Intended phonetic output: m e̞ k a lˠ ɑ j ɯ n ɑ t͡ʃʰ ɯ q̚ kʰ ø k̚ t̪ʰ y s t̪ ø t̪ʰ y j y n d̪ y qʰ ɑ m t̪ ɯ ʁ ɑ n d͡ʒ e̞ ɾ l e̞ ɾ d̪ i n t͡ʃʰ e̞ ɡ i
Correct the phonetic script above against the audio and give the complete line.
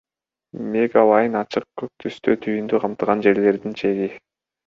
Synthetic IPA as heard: m e̞ ɡ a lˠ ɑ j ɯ n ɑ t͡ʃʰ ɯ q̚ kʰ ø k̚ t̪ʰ y s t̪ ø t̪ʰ y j y n d̪ y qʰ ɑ m t̪ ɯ ʁ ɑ n d͡ʒ e̞ ɾ l e̞ ɾ d̪ i n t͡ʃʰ e̞ ɡ i